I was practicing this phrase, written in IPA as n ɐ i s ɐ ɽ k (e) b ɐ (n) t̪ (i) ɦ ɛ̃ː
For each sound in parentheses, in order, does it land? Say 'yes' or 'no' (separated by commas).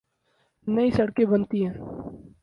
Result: yes, yes, yes